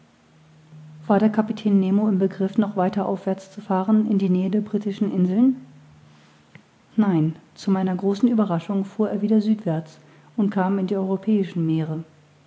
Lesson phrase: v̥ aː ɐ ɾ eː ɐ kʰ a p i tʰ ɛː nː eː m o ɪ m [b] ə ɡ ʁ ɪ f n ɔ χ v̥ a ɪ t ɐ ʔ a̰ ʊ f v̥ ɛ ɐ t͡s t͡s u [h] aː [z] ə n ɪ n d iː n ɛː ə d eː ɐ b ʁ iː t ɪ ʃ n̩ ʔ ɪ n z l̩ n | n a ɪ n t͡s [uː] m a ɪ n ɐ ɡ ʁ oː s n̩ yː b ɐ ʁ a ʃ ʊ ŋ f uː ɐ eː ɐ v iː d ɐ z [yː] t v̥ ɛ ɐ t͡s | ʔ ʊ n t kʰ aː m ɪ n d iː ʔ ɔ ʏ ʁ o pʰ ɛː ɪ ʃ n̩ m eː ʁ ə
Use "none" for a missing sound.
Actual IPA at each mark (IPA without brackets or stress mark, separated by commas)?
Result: b, f, ʁ, u, yː